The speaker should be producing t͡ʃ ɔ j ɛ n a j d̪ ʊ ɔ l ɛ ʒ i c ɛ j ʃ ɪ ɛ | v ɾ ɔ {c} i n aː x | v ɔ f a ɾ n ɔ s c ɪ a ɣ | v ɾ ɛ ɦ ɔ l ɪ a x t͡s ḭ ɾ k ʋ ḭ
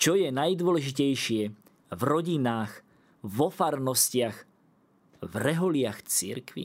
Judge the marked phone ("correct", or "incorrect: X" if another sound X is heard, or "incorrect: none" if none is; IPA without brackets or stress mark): incorrect: ɟ